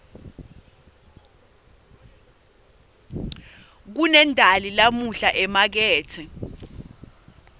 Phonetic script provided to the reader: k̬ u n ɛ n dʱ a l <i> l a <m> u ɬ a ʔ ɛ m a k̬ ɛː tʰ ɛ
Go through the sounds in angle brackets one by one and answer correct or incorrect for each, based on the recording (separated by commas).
correct, correct